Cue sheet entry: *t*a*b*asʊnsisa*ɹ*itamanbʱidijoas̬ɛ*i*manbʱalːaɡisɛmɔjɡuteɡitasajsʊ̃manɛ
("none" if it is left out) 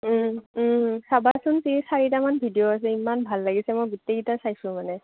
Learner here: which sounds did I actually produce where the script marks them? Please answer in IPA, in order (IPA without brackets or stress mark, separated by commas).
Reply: s, b, ɹ, i